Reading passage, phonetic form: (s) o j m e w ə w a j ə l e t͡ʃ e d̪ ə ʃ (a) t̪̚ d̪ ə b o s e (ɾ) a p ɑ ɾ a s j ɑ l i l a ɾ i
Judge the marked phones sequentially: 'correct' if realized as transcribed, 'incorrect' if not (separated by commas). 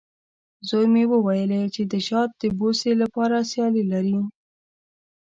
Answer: incorrect, incorrect, incorrect